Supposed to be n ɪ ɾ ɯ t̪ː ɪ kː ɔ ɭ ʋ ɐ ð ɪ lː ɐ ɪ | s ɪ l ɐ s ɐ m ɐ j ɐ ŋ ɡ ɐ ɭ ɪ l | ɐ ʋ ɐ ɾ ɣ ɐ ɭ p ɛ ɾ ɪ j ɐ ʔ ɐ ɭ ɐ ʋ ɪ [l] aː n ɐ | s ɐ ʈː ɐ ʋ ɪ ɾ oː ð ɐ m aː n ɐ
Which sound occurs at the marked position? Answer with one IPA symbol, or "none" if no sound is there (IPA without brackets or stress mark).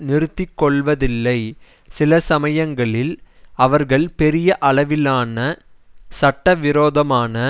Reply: l